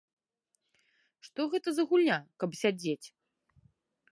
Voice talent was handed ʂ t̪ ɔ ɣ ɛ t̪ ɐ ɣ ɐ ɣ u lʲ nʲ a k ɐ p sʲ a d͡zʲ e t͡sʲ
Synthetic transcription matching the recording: ʂ t̪ ɔ ɣ ɛ t̪ ɐ z ɐ ɣ u lʲ nʲ a k ɐ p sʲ a d͡zʲ e t͡sʲ

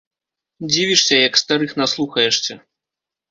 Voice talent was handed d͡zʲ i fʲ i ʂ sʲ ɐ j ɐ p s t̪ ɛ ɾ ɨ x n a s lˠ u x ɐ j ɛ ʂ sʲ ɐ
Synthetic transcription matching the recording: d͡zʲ i vʲ i ʂ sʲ ɐ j ɐ k s t̪ a ɾ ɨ x n a s lˠ u x ɐ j ɛ ʂ sʲ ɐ

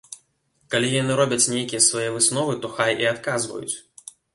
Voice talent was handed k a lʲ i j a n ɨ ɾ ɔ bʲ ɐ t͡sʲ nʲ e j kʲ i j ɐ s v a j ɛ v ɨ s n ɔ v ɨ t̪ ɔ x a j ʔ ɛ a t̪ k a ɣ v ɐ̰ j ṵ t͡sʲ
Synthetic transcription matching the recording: k a lʲ i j a n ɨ ɾ ɔ bʲ ɐ t͡sʲ nʲ e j kʲ i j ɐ s v a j ɛ v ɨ s n ɔ v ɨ t̪ ɔ x a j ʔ i a t̪ k a z v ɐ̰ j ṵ t͡sʲ

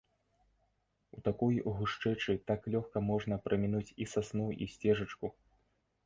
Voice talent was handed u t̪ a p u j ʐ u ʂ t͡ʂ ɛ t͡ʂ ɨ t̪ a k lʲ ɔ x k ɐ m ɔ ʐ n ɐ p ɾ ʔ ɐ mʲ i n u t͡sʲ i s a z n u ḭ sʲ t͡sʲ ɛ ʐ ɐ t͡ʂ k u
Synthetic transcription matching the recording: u t̪ a k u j ɣ u ʂ t͡ʂ ɛ t͡ʂ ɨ t̪ a k lʲ ɔ x k ɐ m ɔ ʐ n ɐ p ɾ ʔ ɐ mʲ i n u t͡sʲ i s a s n u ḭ sʲ t͡sʲ ɛ ʐ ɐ t͡ʂ k u

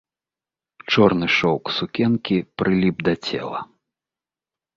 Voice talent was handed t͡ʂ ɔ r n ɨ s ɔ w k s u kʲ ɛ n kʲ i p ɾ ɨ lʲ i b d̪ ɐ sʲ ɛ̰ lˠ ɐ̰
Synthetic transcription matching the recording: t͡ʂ ɔ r n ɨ ʂ ɔ w k s u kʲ ɛ n kʲ i p ɾ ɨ lʲ i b d̪ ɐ t͡sʲ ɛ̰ lˠ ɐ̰

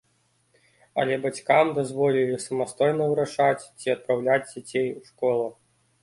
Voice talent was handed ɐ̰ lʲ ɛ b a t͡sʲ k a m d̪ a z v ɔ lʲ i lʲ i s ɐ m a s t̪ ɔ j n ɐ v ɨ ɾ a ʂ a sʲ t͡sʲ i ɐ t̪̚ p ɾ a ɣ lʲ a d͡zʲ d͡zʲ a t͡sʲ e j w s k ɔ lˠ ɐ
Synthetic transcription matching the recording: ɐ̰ lʲ ɛ b a t͡sʲ k a m d̪ a z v ɔ lʲ i lʲ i s ɐ m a s t̪ ɔ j n ɐ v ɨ ɾ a ʂ a t͡sʲ t͡sʲ i ɐ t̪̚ p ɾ a w lʲ a d͡zʲ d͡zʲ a t͡sʲ e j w ʂ k ɔ lˠ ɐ

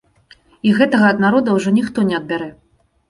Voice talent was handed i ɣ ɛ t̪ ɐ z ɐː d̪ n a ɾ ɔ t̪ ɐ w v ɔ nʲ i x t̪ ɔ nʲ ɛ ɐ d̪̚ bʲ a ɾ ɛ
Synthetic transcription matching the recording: i ɣ ɛ t̪ ɐ ɣ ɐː d̪ n a ɾ ɔ d̪ ɐ w ʐ ɔ nʲ i x t̪ ɔ nʲ ɛ ɐ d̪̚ bʲ a ɾ ɛ

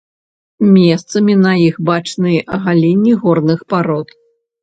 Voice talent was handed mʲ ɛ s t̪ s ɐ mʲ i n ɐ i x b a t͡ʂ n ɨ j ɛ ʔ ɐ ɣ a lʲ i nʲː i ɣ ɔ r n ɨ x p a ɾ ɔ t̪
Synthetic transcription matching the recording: mʲ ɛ s t̪ s ɐ mʲ i n ɐ i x b a t͡ʂ n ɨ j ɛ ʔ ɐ ɣ a lʲ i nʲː i ɣ ɔ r n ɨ x p a ɾ ɔ t̪

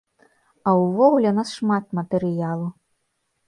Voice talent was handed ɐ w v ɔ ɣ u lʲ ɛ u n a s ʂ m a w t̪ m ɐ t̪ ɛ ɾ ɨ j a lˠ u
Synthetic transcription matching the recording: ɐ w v ɔ ɣ u lʲ ɛ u n a s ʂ m a t̪ m ɐ t̪ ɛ ɾ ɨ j a lˠ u

